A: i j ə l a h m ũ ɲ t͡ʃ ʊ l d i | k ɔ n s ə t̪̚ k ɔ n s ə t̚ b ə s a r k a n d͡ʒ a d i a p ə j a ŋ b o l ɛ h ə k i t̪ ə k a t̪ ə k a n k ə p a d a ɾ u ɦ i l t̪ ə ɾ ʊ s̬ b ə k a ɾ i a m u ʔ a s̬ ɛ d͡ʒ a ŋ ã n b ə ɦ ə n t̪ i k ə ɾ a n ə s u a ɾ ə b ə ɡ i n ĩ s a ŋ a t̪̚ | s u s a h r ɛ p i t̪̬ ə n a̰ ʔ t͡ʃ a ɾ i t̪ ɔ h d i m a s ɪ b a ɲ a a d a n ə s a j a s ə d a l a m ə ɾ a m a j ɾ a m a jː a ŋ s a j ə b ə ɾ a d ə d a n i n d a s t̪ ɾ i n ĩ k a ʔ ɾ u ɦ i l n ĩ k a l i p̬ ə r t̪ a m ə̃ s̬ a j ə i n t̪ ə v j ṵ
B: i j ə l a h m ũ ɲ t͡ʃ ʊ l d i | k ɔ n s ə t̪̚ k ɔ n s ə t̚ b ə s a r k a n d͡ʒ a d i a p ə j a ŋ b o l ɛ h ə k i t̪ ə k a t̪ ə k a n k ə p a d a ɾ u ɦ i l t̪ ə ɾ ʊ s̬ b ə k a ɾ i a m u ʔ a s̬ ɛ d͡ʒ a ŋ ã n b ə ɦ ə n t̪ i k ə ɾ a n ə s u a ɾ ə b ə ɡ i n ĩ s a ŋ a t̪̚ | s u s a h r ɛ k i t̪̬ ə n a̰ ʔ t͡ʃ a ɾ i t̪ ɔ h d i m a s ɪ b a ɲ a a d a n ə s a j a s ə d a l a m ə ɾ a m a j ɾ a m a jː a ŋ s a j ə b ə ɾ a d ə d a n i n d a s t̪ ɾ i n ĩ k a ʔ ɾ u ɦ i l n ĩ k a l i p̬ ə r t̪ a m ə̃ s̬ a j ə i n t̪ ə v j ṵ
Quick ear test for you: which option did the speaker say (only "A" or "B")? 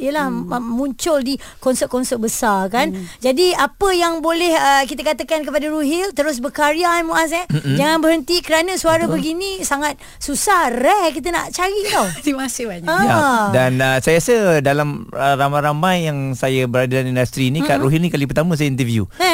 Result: B